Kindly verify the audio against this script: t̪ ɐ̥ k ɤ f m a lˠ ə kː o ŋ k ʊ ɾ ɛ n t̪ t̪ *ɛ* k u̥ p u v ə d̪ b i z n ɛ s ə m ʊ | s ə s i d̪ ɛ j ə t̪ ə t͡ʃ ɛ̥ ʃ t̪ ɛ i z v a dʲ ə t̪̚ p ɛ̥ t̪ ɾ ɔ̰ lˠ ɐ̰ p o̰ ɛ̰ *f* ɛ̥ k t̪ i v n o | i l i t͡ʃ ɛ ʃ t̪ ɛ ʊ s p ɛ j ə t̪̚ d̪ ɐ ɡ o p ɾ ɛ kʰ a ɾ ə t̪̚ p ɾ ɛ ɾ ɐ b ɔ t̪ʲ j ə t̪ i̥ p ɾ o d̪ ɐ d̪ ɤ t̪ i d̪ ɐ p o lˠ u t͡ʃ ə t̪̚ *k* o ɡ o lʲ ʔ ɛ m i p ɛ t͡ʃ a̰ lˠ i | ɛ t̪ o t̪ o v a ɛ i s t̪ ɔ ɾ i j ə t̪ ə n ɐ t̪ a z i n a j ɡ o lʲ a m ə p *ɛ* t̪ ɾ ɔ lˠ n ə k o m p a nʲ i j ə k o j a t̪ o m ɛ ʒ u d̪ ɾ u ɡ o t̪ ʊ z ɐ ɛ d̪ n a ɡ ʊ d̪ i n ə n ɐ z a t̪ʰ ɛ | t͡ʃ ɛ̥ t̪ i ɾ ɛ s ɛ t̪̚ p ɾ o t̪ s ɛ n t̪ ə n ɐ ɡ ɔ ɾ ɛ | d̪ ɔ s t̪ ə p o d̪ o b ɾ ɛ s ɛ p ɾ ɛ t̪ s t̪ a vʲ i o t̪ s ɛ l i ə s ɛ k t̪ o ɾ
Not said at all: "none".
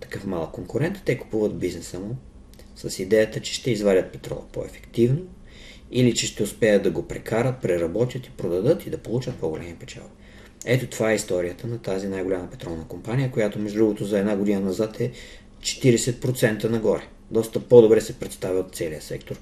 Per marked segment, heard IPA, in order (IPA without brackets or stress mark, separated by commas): ɛ, f, p, ɛ